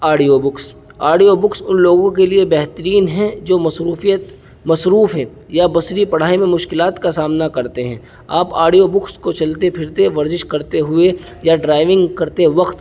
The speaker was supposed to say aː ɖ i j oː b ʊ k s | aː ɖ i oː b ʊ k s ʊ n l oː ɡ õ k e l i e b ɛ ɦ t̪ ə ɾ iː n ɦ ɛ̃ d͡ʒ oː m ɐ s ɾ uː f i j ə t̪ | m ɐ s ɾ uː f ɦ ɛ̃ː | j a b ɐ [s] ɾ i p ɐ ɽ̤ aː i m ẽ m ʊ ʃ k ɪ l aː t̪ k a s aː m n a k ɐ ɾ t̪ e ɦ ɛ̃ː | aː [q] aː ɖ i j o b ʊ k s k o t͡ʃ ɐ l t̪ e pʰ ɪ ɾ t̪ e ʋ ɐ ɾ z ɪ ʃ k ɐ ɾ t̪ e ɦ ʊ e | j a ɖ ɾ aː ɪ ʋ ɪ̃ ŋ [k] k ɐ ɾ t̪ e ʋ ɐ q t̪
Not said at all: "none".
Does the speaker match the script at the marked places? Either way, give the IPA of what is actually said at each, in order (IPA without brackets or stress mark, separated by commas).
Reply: s, p, ɡ